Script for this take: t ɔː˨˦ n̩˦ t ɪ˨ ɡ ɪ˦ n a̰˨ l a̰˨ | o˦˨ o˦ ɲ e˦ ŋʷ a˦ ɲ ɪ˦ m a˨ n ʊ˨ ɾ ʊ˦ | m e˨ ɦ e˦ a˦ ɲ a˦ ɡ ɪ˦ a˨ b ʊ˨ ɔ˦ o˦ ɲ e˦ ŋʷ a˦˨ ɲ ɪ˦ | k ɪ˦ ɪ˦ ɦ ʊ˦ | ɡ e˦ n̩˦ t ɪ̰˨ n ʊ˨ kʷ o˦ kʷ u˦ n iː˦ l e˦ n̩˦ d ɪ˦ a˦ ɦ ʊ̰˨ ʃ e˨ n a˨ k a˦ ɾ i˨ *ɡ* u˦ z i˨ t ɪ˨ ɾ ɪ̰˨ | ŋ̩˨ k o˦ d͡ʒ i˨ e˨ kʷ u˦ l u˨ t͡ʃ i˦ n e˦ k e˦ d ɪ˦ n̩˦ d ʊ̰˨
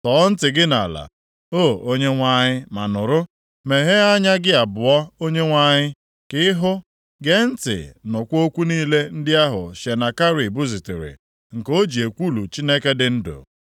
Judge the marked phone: incorrect: b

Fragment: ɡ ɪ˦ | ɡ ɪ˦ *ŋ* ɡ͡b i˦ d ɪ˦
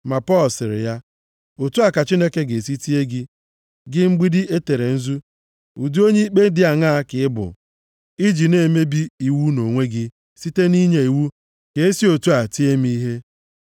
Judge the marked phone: incorrect: ŋ͡m̩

